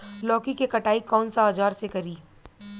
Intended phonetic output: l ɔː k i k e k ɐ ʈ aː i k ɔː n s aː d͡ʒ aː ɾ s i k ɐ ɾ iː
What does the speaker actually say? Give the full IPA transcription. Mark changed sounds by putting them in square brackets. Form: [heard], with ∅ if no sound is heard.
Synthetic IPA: l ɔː k i k e k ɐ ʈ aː i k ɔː n s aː d͡ʒ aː ɾ s [e] k ɐ ɾ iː